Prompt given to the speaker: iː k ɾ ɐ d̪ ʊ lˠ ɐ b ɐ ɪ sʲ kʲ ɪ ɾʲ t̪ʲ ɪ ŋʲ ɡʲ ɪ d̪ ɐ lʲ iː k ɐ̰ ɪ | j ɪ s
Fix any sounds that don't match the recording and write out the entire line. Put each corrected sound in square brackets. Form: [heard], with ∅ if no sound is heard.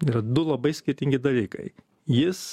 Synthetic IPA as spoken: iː [∅] ɾ ɐ d̪ ʊ lˠ ɐ b ɐ ɪ sʲ kʲ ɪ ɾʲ t̪ʲ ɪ ŋʲ ɡʲ ɪ d̪ ɐ lʲ iː k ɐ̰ ɪ | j ɪ s